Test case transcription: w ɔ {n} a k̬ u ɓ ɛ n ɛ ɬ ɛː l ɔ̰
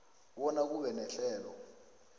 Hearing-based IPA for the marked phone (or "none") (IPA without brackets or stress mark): n